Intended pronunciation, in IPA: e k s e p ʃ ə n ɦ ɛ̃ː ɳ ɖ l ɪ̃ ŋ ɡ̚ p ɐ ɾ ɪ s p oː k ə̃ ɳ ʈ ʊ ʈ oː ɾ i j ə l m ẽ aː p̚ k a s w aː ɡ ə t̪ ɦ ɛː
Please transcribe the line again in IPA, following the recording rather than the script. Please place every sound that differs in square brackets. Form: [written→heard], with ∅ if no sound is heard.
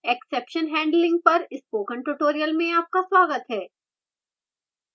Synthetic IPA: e k s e p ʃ ə n ɦ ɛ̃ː ɳ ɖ l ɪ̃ ŋ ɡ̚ p ɐ ɾ ɪ s p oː k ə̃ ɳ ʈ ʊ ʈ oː ɾ i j ə l m ẽ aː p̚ k a s w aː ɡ ə t̪ ɦ ɛː